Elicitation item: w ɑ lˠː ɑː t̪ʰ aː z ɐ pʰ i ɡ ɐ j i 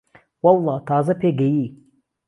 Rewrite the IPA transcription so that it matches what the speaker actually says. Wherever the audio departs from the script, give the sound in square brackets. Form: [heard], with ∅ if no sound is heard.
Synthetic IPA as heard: w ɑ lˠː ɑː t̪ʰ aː z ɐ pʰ [e] ɡ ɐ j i